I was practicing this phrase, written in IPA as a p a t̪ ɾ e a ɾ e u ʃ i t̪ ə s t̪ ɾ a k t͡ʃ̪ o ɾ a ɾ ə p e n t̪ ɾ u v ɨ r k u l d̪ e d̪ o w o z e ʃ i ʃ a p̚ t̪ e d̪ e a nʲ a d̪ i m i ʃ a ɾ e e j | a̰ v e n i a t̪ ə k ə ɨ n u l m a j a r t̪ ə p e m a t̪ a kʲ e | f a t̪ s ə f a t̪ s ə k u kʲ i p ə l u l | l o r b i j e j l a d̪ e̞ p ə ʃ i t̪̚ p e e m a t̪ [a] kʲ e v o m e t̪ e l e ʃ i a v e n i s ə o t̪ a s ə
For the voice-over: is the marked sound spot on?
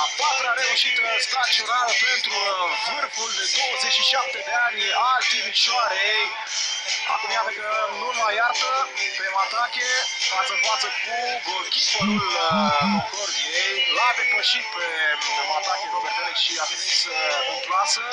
yes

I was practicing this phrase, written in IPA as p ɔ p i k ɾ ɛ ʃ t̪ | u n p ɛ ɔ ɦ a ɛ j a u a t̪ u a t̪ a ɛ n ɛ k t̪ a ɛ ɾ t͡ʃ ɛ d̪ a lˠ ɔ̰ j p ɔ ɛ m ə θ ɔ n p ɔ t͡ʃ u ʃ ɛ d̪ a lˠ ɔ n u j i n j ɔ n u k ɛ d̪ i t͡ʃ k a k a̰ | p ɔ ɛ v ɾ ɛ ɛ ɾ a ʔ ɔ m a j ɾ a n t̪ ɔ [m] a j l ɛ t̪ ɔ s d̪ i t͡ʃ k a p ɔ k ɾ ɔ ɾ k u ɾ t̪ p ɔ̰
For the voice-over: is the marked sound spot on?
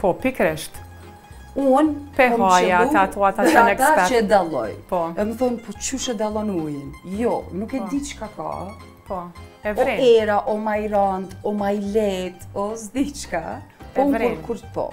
yes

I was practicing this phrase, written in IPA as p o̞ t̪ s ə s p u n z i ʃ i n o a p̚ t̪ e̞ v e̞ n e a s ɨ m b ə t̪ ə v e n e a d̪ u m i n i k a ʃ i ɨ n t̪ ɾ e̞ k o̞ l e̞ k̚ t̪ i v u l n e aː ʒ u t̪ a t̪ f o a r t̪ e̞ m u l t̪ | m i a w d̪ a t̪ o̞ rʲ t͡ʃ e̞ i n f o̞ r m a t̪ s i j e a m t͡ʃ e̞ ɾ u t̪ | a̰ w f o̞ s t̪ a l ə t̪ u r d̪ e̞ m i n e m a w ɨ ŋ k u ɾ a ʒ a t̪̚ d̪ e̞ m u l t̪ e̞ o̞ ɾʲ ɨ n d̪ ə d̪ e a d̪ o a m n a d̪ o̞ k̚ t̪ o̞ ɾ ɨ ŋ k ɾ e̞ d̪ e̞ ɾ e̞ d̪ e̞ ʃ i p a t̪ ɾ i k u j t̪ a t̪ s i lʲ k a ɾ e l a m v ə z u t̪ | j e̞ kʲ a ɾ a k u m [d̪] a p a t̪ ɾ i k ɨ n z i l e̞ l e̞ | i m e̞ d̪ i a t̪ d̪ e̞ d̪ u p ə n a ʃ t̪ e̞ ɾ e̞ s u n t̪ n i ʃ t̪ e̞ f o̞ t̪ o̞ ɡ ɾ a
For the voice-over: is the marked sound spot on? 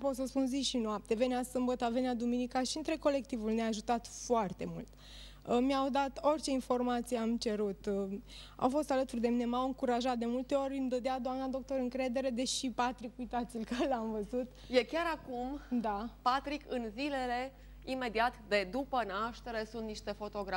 yes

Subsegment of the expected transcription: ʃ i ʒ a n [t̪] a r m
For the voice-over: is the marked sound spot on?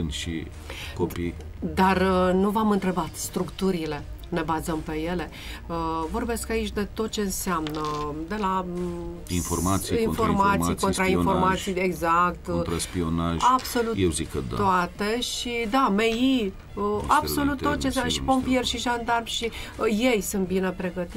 no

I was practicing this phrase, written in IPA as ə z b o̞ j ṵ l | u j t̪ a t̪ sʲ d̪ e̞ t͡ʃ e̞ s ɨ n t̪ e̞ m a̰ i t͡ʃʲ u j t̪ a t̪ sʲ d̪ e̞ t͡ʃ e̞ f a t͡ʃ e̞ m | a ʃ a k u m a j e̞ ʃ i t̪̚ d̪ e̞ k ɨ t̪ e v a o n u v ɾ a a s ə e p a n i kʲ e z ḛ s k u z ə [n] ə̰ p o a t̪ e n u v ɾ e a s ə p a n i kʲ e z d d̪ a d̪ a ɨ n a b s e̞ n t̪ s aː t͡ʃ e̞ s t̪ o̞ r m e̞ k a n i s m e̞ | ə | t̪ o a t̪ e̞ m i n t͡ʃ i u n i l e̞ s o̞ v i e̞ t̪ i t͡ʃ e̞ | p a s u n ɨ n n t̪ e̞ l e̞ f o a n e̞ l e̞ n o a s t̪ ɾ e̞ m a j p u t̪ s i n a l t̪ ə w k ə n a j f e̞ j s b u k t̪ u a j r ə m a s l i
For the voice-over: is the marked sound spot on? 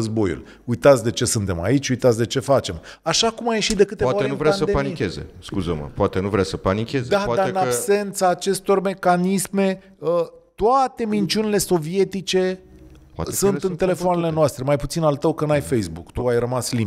no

